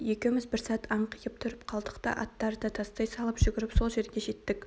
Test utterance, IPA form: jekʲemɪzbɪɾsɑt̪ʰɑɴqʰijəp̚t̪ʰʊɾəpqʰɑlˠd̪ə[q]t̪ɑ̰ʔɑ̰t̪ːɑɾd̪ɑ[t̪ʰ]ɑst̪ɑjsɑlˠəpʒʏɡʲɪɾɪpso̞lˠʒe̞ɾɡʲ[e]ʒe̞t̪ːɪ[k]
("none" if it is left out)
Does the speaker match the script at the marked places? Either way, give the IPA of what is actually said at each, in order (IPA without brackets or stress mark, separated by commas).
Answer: q, t̪ʰ, e, k